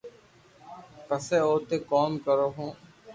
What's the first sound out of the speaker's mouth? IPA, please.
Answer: p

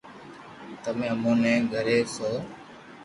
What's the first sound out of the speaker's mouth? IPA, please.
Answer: t̪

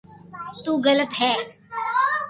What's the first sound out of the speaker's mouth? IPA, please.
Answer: t̪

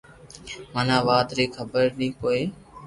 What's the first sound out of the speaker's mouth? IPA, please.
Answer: m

